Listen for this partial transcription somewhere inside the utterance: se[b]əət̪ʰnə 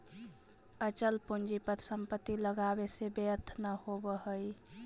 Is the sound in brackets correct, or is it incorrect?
correct